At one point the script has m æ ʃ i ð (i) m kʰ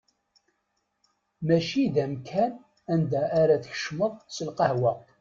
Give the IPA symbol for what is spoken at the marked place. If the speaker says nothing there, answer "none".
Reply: æ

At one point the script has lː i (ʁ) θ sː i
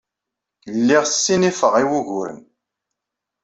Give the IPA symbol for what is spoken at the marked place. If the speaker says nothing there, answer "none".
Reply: ʁ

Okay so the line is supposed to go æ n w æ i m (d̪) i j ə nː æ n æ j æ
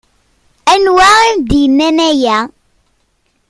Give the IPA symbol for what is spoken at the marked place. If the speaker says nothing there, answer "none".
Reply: d̪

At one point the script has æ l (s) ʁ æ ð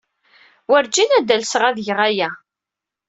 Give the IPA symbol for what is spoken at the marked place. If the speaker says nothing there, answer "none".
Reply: s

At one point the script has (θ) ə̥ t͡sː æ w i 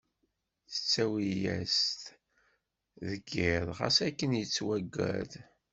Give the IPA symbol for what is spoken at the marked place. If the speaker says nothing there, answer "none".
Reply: θ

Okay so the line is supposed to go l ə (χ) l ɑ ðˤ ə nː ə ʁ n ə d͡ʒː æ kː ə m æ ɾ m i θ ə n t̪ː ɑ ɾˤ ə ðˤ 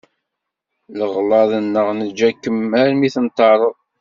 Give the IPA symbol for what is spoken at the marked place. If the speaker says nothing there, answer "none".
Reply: ʁ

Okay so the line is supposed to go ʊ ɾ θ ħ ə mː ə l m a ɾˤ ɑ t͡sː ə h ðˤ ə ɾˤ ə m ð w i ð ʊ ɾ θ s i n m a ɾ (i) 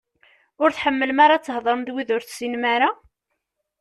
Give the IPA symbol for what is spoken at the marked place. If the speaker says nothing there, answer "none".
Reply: a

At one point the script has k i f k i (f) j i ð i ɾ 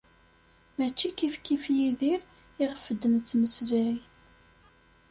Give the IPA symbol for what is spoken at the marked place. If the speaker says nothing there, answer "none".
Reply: f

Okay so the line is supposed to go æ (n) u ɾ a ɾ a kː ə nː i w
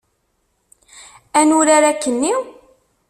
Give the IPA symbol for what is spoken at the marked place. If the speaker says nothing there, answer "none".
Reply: n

